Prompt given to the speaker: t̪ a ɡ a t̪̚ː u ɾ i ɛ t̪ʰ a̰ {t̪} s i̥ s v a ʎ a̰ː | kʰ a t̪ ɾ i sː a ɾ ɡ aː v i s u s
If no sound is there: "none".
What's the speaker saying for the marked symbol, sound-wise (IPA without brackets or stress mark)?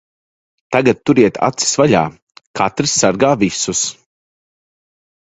t̪